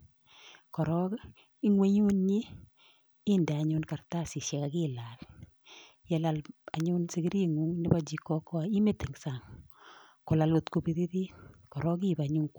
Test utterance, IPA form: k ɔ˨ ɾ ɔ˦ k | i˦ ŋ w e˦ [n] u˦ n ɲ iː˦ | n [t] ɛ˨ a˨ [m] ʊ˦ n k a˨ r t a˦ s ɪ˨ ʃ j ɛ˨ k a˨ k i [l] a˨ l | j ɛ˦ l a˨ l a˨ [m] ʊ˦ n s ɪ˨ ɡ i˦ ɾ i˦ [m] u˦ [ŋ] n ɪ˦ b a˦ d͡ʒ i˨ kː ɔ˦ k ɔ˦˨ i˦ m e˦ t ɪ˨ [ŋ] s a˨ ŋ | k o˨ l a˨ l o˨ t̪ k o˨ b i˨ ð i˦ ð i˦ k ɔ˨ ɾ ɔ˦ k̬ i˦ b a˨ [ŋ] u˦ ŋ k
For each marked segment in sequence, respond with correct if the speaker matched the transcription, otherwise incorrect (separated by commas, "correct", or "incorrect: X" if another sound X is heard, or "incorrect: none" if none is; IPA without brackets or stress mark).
incorrect: ɲ, incorrect: d, incorrect: ɲ, correct, incorrect: ɲ, incorrect: ŋ, correct, correct, incorrect: ɲ